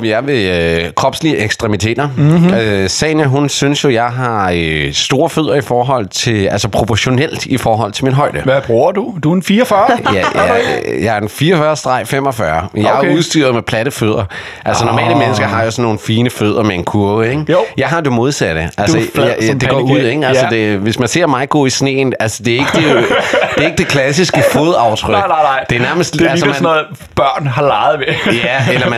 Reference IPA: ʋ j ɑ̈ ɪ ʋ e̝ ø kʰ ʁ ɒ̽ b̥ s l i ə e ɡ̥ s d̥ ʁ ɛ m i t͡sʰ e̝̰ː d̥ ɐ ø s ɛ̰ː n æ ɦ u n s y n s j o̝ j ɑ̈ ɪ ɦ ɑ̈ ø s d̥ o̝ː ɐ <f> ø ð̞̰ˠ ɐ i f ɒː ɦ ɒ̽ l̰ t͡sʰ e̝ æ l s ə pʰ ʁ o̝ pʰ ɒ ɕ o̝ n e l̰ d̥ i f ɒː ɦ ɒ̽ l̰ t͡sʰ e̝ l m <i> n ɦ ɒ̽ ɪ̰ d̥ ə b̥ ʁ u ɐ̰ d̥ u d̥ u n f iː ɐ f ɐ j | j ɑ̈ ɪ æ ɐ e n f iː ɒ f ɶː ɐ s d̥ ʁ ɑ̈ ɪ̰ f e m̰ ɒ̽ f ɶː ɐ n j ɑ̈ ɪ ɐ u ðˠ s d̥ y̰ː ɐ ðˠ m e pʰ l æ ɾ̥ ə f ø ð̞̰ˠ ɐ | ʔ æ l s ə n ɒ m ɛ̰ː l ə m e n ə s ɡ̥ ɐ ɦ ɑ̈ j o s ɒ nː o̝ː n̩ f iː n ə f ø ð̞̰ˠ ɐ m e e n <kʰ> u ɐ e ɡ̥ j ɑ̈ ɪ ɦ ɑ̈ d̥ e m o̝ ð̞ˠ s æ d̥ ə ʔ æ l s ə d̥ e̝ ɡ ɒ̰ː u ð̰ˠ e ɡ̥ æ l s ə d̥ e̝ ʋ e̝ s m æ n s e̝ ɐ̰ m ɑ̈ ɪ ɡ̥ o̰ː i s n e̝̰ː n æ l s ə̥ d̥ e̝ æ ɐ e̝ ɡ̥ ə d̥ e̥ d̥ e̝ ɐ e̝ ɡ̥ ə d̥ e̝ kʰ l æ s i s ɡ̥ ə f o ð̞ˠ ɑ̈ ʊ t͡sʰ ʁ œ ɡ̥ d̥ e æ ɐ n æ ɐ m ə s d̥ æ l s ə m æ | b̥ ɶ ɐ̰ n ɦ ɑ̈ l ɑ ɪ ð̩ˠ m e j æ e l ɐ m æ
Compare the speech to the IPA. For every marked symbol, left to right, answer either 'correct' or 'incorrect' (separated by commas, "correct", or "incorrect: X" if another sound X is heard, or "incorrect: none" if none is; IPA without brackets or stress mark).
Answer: correct, correct, correct